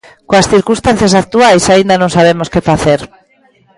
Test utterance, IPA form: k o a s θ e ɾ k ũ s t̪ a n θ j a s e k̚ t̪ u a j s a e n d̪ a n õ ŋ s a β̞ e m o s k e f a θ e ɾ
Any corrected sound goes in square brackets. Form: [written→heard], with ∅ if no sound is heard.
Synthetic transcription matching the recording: k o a s θ [e→i] ɾ k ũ s t̪ a n θ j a s [e→a] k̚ t̪ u a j s a [e→i] n d̪ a n õ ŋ s a β̞ e m o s k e f a θ e ɾ